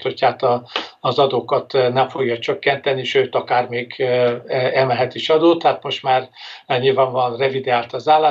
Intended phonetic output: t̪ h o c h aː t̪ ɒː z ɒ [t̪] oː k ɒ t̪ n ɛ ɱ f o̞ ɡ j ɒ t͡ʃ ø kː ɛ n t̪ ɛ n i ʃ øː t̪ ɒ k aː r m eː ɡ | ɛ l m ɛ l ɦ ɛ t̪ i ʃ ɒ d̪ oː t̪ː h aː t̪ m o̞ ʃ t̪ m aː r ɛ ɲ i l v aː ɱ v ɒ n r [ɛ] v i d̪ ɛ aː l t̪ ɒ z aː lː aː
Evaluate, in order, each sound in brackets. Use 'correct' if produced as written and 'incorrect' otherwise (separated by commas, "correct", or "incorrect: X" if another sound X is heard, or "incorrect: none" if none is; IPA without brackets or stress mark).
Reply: incorrect: d̪, correct